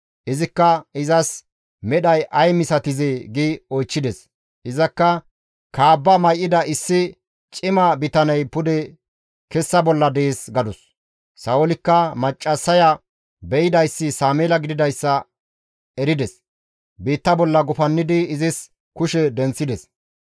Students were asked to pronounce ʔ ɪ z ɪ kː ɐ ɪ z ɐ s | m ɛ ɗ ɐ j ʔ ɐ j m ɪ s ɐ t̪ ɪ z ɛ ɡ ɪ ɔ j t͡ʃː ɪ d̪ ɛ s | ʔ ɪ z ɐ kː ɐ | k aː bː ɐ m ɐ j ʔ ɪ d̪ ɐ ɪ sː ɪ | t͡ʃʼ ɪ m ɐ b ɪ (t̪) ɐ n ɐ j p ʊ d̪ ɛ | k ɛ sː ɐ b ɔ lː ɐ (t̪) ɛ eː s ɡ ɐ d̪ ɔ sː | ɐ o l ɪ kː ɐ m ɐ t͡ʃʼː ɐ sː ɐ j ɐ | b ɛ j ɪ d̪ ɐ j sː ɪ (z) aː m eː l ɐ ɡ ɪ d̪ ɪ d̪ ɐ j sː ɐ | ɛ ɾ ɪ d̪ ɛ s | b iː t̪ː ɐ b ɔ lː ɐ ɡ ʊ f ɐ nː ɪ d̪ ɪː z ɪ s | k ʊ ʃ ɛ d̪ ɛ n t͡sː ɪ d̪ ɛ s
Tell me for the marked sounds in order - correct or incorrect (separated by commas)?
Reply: correct, incorrect, incorrect